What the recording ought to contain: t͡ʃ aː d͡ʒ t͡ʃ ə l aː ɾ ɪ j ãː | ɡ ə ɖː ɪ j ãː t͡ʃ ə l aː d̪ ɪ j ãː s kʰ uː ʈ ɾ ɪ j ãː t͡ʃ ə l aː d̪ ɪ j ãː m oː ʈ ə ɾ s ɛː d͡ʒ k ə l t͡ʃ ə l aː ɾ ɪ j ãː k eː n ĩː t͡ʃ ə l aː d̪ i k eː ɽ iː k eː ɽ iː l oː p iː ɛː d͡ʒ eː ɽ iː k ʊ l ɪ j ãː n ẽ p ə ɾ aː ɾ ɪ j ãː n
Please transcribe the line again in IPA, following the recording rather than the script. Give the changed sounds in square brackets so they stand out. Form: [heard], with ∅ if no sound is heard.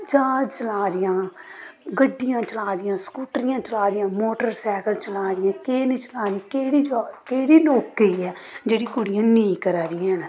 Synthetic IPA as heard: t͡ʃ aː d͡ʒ t͡ʃ ə l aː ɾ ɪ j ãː | ɡ ə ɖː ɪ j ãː t͡ʃ ə l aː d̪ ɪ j ãː s [k] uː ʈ ɾ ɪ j ãː t͡ʃ ə l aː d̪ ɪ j ãː m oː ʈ ə ɾ s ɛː [∅] k ə l t͡ʃ ə l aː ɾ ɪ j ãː k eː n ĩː t͡ʃ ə l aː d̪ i k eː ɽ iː k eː ɽ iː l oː [k] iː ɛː d͡ʒ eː ɽ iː k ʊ [ɽ] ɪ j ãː n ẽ [k] ə ɾ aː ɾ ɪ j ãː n